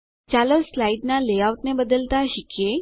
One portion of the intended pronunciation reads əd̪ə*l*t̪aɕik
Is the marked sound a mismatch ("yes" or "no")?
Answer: no